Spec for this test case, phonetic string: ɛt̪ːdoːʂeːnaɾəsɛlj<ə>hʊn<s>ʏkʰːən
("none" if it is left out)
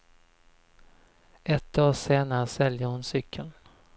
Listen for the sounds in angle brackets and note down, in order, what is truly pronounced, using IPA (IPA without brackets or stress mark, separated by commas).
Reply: ə, s